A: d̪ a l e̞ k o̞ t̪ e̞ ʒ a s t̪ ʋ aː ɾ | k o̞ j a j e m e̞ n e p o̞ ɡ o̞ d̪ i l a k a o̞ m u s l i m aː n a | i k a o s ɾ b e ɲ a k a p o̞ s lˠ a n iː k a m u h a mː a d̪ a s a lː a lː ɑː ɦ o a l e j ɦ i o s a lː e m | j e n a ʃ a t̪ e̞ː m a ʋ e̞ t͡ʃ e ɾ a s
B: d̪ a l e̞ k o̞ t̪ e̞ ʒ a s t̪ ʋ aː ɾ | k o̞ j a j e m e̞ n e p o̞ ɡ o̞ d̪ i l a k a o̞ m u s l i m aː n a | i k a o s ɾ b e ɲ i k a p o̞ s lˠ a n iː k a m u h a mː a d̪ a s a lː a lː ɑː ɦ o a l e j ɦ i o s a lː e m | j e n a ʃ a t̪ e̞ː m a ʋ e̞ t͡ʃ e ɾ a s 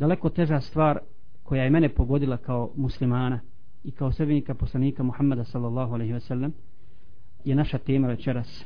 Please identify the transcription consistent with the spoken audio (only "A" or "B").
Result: B